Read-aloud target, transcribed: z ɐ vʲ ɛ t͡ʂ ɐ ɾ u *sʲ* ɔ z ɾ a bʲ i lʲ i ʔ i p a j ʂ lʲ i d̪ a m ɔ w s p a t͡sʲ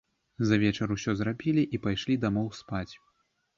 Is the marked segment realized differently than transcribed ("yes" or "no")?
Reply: no